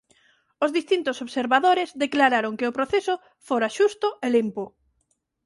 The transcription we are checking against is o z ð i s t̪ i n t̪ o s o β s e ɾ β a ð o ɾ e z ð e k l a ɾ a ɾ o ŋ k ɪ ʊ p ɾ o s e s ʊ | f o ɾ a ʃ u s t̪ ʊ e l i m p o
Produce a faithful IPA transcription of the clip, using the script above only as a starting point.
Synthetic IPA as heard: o z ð i s t̪ i n t̪ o s o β s e ɾ β a ð o ɾ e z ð e k l a ɾ a ɾ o ŋ k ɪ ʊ p ɾ o θ e s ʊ | f o ɾ a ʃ u s t̪ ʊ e l i m p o